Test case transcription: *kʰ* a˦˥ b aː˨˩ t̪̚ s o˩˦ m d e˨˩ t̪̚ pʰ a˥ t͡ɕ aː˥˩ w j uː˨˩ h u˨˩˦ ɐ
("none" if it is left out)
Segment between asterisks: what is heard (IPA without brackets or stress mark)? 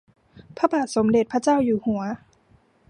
pʰ